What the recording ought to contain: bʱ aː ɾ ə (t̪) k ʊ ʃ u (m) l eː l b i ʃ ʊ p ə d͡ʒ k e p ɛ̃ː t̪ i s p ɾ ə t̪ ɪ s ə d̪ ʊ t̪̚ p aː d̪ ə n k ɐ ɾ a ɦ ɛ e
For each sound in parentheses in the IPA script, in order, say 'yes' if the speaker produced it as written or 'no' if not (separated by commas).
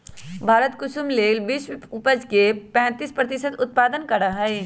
yes, yes